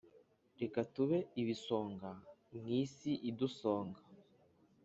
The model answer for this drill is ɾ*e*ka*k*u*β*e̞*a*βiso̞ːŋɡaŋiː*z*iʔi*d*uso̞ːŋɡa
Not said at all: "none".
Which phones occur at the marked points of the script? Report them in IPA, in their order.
e, t, β, i, s, d

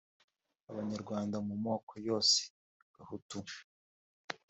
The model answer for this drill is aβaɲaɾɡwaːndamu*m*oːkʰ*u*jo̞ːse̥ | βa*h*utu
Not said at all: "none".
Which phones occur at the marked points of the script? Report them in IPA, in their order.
m, o, h

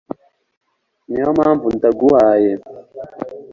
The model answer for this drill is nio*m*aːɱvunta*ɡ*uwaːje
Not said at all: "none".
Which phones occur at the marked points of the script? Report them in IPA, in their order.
m, ɡ

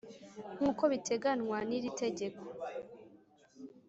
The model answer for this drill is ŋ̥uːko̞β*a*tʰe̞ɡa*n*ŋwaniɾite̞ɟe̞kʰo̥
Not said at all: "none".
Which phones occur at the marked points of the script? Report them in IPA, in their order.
i, n

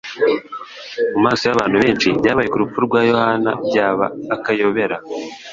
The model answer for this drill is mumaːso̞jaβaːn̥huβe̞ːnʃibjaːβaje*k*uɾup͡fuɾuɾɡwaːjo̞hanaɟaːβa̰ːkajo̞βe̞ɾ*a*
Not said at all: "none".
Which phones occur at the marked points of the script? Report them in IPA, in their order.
k, a

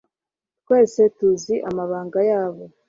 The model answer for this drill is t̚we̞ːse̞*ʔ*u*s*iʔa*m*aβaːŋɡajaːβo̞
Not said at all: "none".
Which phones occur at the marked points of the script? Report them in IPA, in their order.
t, z, m

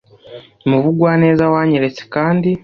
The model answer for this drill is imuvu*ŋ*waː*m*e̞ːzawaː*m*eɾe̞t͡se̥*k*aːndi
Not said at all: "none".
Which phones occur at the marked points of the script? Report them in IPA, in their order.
ɡ, n, ɲ, k

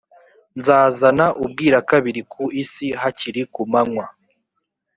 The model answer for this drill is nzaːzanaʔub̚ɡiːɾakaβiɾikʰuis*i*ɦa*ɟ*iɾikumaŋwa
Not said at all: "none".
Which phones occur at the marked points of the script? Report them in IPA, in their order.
i, c

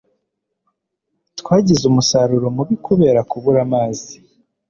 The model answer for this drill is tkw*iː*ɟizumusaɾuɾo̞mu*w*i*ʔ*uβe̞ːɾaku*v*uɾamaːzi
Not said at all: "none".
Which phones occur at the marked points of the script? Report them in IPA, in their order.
aː, β, k, β

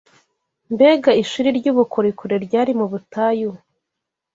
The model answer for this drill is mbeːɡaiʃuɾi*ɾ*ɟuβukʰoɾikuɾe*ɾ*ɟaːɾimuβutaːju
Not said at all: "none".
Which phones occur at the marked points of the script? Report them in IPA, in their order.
ɾ, ɾ

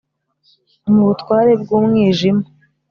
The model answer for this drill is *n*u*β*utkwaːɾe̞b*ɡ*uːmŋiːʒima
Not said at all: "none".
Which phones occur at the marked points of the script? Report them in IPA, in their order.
m, β, ɡ

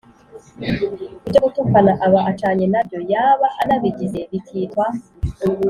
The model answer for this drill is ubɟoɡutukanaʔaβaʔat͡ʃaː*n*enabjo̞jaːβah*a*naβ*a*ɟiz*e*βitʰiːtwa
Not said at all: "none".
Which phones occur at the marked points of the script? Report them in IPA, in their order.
ɲ, a, i, e

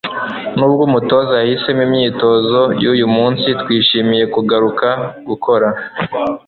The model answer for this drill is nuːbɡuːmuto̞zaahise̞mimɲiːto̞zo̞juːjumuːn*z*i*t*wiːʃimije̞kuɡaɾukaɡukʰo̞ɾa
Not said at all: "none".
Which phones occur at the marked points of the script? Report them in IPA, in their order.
s, t

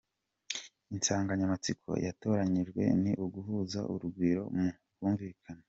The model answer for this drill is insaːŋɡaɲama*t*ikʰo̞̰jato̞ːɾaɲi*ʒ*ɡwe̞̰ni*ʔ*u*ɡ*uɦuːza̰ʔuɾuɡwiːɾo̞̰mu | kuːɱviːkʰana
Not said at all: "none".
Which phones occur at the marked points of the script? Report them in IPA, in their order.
t͡s, ʒ, ʔ, ɡ

